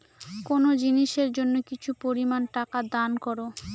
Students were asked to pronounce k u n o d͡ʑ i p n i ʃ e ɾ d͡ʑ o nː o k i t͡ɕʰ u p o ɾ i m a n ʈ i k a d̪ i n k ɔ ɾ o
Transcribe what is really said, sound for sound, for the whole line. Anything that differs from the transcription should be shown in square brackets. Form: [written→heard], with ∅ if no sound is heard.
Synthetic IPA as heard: k [u→o] n o d͡ʑ i [p→∅] n i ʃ e ɾ d͡ʑ o nː o k i t͡ɕʰ u p o ɾ i m a n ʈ [i→a] k a d̪ [i→a] n k ɔ ɾ o